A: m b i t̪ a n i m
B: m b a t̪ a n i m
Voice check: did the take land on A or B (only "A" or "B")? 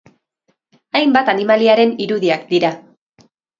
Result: B